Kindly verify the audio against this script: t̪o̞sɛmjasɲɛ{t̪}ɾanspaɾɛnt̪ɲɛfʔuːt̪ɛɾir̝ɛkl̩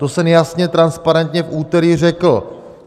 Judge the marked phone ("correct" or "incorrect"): correct